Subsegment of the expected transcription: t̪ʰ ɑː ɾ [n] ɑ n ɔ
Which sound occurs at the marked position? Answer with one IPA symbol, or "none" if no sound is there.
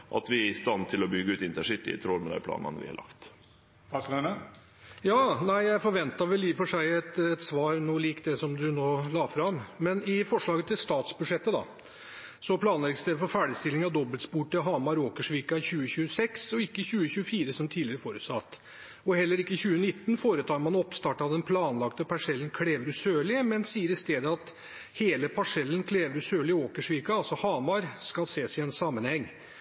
m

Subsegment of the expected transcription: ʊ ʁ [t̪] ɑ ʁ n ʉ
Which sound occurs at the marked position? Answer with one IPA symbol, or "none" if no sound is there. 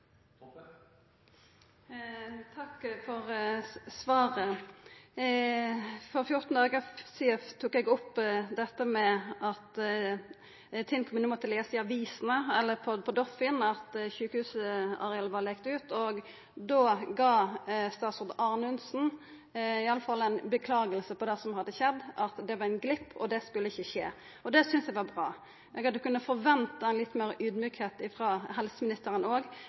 d̪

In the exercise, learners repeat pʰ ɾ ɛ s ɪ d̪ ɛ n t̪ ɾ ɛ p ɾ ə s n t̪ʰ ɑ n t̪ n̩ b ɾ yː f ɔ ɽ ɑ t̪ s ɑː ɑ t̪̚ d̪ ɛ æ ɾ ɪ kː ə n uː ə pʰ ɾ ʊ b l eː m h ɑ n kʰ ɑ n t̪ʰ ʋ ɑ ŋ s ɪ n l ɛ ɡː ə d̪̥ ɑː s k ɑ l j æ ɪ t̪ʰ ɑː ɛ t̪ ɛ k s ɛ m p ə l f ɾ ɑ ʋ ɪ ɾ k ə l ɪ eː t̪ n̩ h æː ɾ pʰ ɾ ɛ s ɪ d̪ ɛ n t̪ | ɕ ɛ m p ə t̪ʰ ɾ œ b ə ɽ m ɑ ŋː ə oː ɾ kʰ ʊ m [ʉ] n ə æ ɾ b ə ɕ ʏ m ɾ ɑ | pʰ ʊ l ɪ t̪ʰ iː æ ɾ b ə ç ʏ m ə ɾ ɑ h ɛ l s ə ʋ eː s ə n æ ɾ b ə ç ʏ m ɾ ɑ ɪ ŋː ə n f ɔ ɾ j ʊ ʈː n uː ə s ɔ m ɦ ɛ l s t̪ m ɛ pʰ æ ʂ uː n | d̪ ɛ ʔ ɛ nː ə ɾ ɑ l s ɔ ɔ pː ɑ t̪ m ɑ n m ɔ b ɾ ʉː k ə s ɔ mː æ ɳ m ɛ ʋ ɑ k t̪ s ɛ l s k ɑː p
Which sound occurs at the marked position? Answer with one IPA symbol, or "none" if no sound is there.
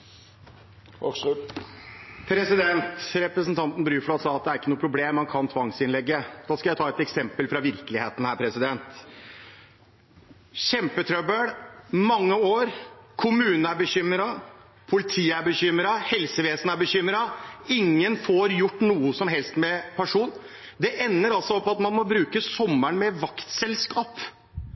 ʉː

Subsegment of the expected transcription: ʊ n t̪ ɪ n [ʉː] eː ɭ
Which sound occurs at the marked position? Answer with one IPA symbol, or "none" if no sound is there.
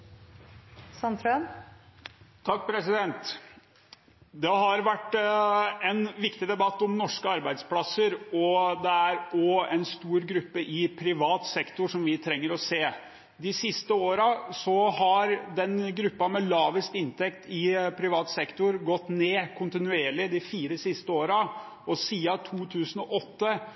ʉ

